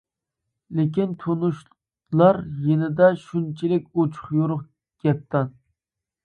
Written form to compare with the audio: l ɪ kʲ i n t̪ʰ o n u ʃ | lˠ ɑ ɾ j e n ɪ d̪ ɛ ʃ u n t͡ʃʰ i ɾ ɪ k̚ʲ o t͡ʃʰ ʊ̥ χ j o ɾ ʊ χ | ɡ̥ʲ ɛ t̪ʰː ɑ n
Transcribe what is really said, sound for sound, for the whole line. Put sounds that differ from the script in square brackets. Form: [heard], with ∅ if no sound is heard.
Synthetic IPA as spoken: l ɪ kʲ i n t̪ʰ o n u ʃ | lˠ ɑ ɾ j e n ɪ d̪ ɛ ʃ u n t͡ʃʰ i [l] ɪ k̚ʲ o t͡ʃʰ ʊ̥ χ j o ɾ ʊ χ | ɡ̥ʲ ɛ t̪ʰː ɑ n